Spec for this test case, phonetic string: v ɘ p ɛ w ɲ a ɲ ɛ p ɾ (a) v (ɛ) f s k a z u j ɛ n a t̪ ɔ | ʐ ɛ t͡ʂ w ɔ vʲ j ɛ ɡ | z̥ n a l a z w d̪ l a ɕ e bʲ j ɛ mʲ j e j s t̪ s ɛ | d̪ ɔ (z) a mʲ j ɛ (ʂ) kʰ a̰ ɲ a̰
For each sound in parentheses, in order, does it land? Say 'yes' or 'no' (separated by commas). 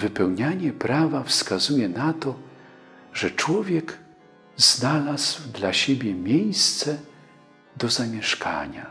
yes, no, yes, yes